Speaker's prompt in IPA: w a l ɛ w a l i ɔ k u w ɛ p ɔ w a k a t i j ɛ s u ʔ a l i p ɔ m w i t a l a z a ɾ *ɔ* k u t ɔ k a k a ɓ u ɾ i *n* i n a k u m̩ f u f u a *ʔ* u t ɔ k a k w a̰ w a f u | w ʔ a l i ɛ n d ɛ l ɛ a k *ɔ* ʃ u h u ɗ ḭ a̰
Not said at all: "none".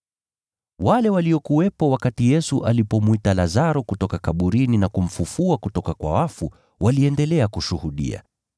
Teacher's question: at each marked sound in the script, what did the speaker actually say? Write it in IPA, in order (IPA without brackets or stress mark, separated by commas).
ɔ, n, k, u